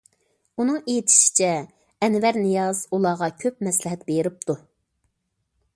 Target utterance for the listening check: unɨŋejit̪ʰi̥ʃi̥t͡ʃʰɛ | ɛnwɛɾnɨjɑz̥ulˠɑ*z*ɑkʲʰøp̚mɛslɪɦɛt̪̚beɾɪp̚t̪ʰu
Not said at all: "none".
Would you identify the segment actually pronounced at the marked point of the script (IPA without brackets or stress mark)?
ʁ